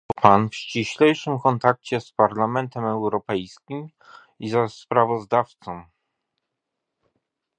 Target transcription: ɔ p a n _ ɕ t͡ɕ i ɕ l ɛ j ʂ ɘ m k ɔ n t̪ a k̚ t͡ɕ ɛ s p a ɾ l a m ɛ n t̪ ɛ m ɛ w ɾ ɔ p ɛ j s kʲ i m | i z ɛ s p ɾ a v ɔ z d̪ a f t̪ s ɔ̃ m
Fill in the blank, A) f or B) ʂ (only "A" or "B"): A